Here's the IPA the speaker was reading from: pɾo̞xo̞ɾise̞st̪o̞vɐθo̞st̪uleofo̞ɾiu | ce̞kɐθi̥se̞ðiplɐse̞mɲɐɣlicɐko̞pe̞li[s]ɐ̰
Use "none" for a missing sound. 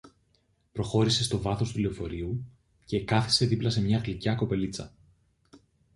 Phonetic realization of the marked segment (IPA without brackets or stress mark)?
t͡s